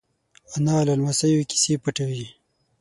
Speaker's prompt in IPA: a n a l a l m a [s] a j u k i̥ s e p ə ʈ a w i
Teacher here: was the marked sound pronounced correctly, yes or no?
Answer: yes